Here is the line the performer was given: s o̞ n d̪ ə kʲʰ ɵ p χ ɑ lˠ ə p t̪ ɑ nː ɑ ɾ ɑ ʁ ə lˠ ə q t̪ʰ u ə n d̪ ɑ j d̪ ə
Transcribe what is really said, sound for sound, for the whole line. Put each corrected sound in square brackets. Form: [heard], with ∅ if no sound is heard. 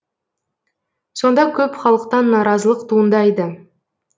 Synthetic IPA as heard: s o̞ n d̪ [ɑ] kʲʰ ɵ p χ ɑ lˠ ə [q] t̪ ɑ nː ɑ ɾ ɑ [z] ə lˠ ə q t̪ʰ u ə n d̪ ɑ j d̪ ə